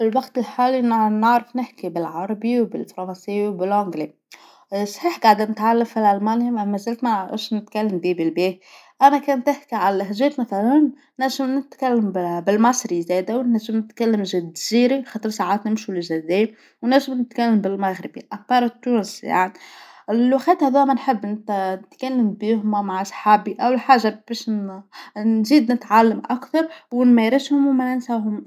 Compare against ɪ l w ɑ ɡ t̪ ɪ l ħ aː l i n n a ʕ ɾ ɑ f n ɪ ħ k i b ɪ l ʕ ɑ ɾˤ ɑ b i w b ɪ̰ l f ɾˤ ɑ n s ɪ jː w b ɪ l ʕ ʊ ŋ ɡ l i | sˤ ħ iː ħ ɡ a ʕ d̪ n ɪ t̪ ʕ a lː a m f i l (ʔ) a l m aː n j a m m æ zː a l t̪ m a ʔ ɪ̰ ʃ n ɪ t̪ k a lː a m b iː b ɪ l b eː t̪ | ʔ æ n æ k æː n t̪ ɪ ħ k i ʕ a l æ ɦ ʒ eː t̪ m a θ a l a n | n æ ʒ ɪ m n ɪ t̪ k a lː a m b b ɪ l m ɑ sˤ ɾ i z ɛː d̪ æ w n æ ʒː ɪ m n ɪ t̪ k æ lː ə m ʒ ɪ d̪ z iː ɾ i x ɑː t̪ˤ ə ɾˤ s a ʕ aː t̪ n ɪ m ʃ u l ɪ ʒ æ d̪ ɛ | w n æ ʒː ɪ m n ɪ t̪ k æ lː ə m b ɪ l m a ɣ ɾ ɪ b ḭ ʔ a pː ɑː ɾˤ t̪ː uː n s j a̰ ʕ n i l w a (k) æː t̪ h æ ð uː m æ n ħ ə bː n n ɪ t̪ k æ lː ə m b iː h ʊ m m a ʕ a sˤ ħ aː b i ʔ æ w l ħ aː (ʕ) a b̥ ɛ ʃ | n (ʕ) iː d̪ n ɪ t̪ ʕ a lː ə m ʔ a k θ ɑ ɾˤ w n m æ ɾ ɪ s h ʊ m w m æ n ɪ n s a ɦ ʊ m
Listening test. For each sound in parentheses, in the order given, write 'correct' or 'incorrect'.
correct, incorrect: x, incorrect: ʒ, incorrect: z

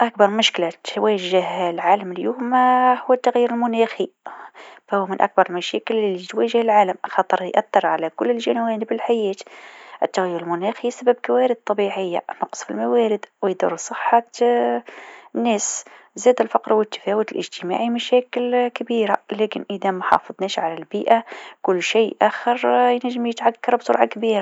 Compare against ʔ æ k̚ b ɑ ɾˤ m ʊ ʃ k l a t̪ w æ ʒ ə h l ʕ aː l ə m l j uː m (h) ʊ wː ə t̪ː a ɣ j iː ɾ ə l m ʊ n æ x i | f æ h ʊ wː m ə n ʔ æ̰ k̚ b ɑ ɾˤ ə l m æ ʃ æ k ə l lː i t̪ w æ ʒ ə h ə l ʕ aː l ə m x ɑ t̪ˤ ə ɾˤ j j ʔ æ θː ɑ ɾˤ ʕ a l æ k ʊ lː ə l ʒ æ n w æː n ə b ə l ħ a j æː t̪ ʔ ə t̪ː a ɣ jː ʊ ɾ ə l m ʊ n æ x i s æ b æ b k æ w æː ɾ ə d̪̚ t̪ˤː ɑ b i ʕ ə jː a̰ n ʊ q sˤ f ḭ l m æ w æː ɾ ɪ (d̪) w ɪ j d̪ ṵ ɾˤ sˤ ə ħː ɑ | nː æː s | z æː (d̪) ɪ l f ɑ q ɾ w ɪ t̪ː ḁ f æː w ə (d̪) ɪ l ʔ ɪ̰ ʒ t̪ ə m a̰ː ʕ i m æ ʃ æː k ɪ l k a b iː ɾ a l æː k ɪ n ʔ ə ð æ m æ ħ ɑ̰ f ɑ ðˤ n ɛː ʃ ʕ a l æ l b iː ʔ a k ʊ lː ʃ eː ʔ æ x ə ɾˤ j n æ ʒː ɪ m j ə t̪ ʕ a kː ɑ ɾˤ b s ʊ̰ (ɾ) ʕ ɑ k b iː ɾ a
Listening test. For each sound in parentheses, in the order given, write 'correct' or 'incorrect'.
correct, correct, correct, incorrect: t̪, correct

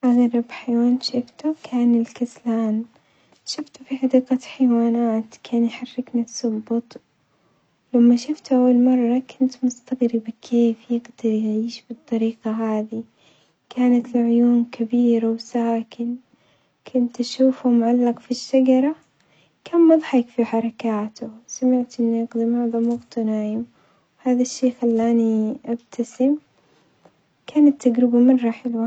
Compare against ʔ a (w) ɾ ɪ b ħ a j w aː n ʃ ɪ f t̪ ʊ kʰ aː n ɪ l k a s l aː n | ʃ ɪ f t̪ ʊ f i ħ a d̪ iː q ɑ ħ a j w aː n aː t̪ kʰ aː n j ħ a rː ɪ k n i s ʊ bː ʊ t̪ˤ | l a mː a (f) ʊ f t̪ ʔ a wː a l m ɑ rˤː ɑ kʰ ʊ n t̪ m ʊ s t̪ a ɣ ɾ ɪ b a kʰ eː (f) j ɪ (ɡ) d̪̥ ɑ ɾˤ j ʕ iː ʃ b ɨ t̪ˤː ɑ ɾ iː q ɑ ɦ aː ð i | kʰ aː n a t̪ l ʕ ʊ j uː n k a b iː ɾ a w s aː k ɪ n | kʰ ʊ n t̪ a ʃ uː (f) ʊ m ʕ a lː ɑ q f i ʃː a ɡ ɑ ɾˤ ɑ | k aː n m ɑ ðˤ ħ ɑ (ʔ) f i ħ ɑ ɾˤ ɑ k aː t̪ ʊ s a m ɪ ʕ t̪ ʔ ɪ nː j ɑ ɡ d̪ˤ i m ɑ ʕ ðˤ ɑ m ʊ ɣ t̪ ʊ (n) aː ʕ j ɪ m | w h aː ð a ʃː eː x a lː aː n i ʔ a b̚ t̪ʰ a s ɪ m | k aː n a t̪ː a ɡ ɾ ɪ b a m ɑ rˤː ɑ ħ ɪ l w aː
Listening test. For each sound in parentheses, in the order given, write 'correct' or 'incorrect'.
incorrect: ɣ, incorrect: ʃ, correct, correct, correct, incorrect: k, correct

